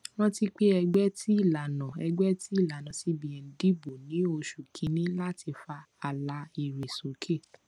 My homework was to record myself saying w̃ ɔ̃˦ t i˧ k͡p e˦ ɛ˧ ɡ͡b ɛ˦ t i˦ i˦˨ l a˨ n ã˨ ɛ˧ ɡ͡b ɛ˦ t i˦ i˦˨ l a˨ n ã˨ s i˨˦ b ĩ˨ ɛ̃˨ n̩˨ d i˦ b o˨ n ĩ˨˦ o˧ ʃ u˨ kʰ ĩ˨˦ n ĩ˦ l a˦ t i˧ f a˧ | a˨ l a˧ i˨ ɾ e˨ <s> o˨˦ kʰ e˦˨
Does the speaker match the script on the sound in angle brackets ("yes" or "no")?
yes